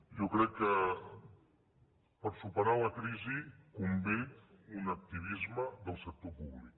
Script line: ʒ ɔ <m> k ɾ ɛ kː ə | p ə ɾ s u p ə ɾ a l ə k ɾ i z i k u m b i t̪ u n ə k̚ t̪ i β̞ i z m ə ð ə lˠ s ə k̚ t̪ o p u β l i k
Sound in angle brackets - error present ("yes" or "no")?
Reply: yes